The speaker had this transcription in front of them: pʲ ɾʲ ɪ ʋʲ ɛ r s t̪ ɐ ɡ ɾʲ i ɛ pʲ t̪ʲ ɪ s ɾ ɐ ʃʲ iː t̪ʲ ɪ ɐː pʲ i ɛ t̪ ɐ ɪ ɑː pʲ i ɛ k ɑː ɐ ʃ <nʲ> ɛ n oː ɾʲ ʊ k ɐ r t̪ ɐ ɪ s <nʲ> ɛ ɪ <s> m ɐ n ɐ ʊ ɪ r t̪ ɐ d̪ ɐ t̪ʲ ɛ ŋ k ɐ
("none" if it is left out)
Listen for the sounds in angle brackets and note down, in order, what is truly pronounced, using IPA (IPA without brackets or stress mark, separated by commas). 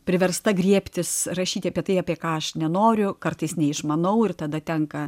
nʲ, nʲ, ʃ